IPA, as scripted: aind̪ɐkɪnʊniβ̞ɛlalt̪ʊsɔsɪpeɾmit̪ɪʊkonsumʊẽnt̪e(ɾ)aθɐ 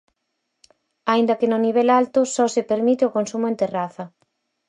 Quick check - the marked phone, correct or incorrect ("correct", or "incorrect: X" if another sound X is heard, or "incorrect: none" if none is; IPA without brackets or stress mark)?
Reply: incorrect: r